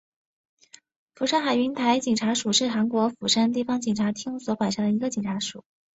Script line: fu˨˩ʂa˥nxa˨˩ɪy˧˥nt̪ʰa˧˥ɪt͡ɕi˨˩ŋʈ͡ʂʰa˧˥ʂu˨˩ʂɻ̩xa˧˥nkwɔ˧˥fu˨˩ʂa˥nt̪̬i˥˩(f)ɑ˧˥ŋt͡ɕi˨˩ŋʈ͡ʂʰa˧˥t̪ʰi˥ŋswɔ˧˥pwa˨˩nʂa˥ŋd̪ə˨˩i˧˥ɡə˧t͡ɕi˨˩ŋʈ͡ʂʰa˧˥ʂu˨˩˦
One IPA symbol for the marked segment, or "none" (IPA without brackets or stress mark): f